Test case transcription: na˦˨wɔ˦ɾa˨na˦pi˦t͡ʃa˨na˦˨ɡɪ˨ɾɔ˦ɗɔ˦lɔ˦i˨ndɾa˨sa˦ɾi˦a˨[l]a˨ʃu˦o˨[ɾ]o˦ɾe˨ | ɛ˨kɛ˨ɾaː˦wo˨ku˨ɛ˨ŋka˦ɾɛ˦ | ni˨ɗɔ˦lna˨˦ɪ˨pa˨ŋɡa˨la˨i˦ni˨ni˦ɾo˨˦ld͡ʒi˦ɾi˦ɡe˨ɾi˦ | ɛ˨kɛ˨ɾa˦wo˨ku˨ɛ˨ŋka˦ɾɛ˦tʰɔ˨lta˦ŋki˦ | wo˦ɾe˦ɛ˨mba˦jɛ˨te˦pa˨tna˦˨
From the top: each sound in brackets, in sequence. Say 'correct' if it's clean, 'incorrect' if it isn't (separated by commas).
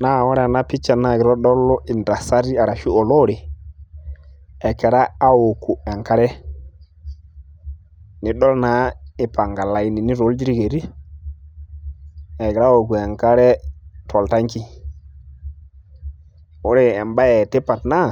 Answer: incorrect, incorrect